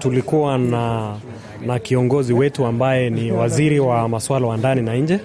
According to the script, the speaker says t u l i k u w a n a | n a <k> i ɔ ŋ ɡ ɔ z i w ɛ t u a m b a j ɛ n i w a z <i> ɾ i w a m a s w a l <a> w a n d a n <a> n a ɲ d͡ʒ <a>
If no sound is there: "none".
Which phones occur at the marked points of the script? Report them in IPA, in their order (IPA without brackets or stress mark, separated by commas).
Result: k, i, a, i, ɛ